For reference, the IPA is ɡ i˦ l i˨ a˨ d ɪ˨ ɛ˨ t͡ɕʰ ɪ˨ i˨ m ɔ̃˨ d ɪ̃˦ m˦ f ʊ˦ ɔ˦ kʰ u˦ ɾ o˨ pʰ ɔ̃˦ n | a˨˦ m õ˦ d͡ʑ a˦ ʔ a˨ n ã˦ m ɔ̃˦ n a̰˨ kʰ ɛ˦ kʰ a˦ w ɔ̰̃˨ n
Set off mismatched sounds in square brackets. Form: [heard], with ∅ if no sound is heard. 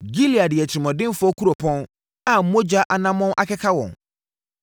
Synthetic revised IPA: ɡ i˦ l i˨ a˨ d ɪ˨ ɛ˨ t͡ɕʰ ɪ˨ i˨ m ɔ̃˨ d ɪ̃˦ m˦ f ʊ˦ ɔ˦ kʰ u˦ ɾ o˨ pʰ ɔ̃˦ n | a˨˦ m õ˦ d͡ʑ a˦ ʔ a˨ n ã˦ m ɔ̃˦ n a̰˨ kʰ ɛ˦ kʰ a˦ w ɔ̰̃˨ n

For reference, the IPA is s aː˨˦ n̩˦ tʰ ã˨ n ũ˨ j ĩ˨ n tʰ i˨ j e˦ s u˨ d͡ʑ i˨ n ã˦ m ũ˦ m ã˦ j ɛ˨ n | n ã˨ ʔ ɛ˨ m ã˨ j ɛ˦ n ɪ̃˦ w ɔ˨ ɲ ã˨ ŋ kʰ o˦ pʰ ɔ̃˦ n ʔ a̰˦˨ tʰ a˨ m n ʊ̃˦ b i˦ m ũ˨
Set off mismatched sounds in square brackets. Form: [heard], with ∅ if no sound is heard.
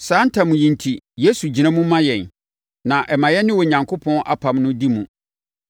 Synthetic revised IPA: s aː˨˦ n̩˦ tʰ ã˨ [m] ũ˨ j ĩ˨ n tʰ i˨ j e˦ s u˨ d͡ʑ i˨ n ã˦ m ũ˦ m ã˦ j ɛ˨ n | n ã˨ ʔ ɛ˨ m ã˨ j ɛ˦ n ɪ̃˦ w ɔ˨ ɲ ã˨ ŋ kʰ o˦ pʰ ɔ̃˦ n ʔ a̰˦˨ [pʰ] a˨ m n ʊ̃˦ [d] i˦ m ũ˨

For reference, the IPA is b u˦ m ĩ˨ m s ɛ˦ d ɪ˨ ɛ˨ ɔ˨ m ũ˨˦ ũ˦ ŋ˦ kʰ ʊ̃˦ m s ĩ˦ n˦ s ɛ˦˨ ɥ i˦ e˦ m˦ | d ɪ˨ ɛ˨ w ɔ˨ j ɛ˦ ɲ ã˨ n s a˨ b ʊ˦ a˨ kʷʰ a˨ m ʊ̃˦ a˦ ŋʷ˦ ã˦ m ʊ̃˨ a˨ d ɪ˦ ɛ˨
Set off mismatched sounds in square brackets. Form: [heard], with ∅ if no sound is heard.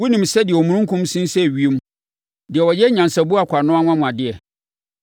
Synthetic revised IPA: [w] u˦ [n] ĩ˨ m s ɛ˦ d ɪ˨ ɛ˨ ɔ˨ m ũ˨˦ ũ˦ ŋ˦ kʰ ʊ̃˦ m s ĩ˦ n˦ s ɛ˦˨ ɥ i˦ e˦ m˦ | d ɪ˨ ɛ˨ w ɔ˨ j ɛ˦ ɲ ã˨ n s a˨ b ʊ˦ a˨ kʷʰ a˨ [n] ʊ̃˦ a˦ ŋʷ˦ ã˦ m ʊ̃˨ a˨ d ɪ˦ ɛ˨

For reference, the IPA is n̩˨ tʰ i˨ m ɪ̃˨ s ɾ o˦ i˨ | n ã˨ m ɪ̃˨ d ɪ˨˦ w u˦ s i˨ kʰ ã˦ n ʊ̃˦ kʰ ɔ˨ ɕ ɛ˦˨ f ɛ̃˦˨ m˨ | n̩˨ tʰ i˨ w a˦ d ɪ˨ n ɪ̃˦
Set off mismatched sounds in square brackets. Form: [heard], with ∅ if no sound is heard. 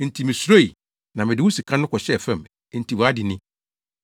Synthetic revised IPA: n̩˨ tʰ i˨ m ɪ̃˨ s ɾ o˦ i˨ | n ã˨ m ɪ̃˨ d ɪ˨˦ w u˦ s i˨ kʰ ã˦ n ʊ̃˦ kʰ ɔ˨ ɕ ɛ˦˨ f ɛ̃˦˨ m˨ | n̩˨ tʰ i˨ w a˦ d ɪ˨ n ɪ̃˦

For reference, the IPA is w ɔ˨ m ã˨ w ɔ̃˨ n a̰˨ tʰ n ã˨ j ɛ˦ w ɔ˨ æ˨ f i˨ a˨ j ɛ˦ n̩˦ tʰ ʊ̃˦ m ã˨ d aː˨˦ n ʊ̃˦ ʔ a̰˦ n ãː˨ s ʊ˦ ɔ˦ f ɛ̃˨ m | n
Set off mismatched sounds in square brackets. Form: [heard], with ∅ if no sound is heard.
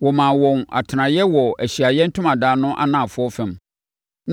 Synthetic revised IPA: w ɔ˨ m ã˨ w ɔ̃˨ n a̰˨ tʰ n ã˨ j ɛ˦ w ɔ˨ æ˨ [ɕ] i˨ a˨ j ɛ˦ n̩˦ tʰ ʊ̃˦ m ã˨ d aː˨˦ n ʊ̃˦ ʔ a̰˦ n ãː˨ [f] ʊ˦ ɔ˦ f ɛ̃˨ m | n

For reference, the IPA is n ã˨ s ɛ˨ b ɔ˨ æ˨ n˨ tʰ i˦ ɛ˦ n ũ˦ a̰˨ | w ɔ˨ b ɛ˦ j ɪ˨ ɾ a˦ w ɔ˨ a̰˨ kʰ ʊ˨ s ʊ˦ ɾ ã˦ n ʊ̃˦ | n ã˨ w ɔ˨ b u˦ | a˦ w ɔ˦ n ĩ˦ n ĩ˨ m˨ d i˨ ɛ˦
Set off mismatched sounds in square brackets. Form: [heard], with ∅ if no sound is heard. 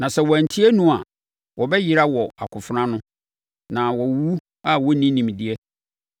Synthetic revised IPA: n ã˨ s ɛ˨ [w] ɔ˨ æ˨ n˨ tʰ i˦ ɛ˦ n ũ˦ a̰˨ | w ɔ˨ b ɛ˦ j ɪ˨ ɾ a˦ w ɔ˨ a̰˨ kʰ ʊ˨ [f] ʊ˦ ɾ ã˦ n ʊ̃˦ | n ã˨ w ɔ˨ [w] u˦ | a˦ w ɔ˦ n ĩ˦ n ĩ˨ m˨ d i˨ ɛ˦

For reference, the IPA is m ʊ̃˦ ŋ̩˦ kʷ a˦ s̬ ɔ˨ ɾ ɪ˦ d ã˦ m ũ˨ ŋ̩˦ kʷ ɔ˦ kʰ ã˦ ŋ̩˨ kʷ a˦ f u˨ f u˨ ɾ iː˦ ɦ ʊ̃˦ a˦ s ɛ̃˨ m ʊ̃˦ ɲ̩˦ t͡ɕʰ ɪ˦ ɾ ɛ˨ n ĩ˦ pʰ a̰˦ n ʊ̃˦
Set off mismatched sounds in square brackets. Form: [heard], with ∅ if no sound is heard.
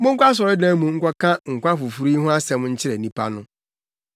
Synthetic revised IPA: m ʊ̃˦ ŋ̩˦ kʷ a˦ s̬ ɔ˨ ɾ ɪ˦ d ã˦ m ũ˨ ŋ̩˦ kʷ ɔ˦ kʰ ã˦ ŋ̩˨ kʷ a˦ f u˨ f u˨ ɾ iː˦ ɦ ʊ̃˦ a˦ s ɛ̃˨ m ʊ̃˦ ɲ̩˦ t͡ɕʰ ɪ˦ ɾ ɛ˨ n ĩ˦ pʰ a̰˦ n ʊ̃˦

